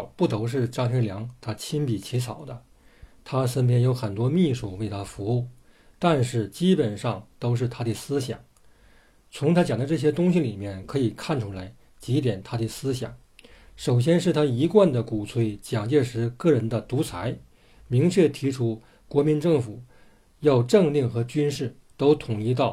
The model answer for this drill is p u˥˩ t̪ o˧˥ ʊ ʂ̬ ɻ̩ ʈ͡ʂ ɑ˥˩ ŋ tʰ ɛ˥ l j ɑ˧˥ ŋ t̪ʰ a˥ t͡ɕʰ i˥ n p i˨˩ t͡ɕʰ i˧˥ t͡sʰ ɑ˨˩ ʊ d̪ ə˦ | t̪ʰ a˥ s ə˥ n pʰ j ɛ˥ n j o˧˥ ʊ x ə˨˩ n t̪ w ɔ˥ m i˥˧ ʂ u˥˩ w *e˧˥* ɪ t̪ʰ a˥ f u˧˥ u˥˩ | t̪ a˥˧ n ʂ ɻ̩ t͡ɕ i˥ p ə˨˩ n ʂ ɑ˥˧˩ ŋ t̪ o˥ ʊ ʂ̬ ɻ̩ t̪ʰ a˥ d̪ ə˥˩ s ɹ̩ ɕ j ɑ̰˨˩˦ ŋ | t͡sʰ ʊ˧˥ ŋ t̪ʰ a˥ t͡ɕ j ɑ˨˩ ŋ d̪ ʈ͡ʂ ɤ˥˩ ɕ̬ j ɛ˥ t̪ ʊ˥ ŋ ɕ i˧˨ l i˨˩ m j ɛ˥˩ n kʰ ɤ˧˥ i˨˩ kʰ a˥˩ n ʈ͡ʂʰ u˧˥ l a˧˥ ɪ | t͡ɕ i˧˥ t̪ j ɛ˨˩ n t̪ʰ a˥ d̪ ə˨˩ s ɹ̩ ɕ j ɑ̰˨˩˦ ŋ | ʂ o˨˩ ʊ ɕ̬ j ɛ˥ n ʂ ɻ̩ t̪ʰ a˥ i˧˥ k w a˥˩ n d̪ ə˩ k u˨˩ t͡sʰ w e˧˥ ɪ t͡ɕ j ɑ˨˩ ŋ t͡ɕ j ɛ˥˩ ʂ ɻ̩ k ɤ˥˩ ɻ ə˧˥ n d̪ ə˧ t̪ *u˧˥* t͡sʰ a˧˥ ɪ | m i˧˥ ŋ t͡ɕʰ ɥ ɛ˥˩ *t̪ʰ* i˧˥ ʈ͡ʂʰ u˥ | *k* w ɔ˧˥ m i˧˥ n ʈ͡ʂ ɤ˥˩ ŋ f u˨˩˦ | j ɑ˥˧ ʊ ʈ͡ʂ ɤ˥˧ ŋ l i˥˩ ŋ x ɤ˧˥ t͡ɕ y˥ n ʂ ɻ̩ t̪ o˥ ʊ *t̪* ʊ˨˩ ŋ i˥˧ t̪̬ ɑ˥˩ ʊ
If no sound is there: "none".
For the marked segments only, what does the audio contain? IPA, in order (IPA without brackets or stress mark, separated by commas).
e˥˩, u˧˥, t̪ʰ, k, t̪ʰ